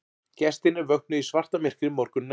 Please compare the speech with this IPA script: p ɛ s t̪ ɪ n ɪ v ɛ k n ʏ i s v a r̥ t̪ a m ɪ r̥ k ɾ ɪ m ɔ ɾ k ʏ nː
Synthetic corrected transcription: c ɛ s t̪ ɪ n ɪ v œ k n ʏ i s v a r̥ t̪ a m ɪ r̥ k ɾ ɪ m ɔ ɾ k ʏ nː